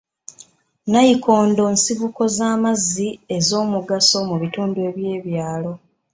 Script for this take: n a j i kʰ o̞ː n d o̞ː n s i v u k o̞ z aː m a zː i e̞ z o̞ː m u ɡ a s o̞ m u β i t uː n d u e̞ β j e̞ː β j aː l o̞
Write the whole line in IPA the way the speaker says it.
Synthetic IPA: n a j i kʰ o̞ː n d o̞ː n s i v u k o̞ z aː m a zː i e̞ z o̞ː m u ɡ a s o̞ m u β i t uː n d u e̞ β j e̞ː β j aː l o̞